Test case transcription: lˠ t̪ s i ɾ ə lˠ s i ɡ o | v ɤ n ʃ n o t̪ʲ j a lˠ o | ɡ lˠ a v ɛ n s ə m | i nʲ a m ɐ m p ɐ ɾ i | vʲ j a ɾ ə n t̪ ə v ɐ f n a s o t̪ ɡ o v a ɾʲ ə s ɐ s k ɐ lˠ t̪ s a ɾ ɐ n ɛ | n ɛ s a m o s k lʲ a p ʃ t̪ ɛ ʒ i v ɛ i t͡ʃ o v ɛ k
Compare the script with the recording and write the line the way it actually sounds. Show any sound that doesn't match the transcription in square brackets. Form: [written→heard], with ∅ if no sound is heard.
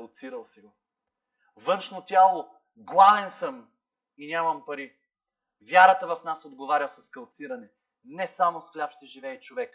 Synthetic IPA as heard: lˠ t̪ s i ɾ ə lˠ s i ɡ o | v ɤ n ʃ n o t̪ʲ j a lˠ o | ɡ lˠ a v ɛ n s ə m | i nʲ a m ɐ m p ɐ ɾ i | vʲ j a ɾ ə [n→∅] t̪ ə v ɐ f n a s o [t̪→d̪] ɡ o v a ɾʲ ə s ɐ s k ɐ lˠ t̪ s [a→i] ɾ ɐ n ɛ | n ɛ s a m o s k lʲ a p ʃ t̪ ɛ ʒ i v ɛ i t͡ʃ o v ɛ k